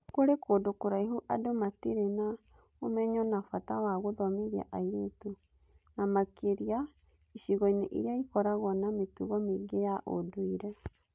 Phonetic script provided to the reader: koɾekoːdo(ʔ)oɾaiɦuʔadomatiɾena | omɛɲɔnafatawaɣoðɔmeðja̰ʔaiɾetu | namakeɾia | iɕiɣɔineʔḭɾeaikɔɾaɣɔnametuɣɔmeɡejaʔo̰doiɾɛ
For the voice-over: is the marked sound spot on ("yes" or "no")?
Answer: no